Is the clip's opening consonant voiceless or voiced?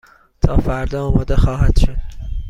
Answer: voiceless